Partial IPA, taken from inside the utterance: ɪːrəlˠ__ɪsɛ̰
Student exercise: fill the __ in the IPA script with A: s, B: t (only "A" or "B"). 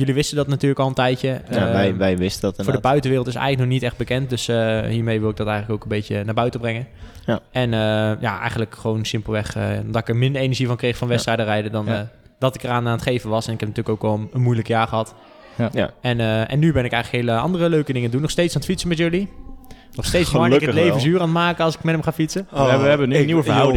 B